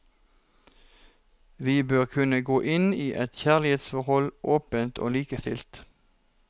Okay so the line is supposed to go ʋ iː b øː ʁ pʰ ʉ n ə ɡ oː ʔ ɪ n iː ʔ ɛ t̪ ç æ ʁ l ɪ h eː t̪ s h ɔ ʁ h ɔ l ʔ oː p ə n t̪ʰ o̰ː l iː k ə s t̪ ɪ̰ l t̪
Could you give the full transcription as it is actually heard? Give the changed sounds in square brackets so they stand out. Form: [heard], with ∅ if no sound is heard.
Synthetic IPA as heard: ʋ iː b øː ʁ [kʰ] ʉ n ə ɡ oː ʔ ɪ n iː ʔ ɛ t̪ ç æ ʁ l ɪ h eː t̪ s [f] ɔ ʁ h ɔ l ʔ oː p ə n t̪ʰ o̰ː l iː k ə s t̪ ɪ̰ l t̪

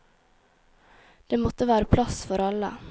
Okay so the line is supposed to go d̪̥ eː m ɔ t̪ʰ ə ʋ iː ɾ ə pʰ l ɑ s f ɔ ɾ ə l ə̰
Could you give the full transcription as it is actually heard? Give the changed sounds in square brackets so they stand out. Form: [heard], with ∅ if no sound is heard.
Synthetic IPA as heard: d̪̥ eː m ɔ [t̪] ə ʋ [æː] ɾ ə pʰ l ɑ s f ɔ ɾ [ɑ] l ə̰

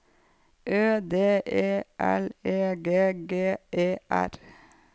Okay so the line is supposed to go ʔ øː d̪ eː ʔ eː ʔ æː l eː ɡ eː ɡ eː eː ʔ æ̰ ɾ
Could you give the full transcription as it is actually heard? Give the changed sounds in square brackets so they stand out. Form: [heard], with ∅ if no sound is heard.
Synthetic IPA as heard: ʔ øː d̪ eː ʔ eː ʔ [æ] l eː ɡ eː ɡ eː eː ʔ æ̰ ɾ

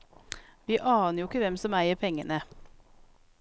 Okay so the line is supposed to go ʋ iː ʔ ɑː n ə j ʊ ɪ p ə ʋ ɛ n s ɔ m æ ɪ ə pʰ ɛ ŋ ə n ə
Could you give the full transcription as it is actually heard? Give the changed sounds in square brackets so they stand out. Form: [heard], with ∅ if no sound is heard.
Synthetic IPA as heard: ʋ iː ʔ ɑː n ə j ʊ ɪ [k] ə ʋ ɛ [m] s ɔ m æ ɪ ə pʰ ɛ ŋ ə n ə

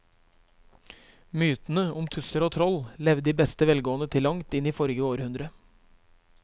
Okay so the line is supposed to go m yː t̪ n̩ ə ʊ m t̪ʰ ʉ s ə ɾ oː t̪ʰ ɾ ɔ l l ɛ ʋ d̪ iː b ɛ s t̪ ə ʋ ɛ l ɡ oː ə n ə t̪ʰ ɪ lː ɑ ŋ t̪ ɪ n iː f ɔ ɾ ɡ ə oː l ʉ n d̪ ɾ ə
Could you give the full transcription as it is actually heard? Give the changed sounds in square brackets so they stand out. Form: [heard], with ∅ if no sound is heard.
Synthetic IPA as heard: m yː t̪ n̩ ə ʊ m t̪ʰ ʉ s ə ɾ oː t̪ʰ ɾ ɔ l l ɛ ʋ d̪ iː b ɛ s t̪ ə ʋ ɛ l ɡ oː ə n ə t̪ʰ ɪ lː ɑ ŋ t̪ ɪ n iː f ɔ ɾ ɡ ə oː [ɾ] ʉ n d̪ ɾ ə

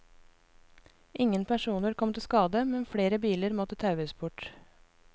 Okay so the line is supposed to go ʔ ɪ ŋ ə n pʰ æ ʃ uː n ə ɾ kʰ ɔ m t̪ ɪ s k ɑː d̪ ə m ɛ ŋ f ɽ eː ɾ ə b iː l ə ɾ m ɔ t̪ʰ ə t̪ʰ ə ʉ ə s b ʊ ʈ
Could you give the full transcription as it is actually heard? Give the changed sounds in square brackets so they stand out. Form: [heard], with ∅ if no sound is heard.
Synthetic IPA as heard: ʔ ɪ ŋ ə n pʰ æ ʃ uː n ə ɾ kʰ ɔ m t̪ ɪ s k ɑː d̪ ə m ɛ [n] f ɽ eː ɾ ə b iː l ə ɾ m ɔ [t̪] ə t̪ʰ [ɑ] ʉ ə s b ʊ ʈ

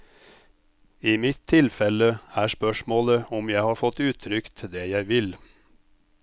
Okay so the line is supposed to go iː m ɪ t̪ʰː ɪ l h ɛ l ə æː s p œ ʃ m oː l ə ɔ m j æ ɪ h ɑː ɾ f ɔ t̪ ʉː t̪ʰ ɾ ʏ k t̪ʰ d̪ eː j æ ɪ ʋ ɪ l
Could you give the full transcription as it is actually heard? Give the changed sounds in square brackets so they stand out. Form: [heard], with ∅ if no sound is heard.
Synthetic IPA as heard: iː m ɪ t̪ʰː ɪ l [f] ɛ l ə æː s p œ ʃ m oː l ə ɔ m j æ ɪ h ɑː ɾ f ɔ t̪ ʉː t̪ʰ ɾ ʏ k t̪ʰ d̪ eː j æ ɪ ʋ ɪ l

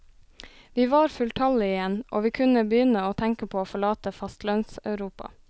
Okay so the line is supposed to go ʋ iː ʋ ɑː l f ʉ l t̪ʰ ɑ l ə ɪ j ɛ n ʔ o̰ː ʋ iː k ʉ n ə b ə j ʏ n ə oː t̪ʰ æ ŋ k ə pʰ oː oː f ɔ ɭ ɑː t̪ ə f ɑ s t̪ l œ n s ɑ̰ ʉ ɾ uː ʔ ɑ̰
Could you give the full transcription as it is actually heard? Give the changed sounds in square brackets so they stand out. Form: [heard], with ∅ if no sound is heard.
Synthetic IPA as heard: ʋ iː ʋ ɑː [ɾ] f ʉ l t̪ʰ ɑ l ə ɪ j ɛ n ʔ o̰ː ʋ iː [kʰ] ʉ n ə b ə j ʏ n ə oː t̪ʰ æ ŋ k ə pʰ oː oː f ɔ ɭ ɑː t̪ ə f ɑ s t̪ l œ n s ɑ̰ ʉ ɾ uː [p] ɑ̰

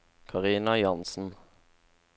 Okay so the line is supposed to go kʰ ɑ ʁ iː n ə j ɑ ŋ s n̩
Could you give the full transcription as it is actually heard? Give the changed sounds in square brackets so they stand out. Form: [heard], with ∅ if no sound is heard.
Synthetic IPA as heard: kʰ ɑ ʁ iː n [ɑ] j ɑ [n] s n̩

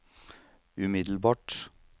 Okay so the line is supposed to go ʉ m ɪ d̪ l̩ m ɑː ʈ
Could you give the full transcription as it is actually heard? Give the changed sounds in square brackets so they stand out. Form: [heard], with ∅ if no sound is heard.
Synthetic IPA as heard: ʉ m ɪ d̪ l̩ [b] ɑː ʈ

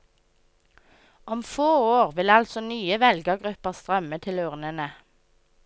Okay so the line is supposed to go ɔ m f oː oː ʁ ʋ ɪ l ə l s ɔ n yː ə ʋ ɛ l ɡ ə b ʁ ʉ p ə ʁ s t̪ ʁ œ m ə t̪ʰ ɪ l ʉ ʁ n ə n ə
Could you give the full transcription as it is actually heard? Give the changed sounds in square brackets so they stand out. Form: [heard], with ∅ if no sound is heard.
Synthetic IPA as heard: ɔ m f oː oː ʁ ʋ ɪ l [ɑ] l s ɔ n yː ə ʋ ɛ l ɡ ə [ɡ] ʁ ʉ p ə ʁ s t̪ ʁ œ m ə t̪ʰ ɪ l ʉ ʁ n ə n ə

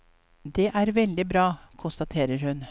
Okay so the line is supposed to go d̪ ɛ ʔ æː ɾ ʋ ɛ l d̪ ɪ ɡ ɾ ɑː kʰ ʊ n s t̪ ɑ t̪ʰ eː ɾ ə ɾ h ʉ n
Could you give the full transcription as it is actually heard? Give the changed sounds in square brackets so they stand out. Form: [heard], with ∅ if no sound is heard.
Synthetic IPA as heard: d̪ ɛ ʔ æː ɾ ʋ ɛ l d̪ ɪ [b] ɾ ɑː kʰ ʊ n s t̪ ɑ t̪ʰ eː ɾ ə ɾ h ʉ n

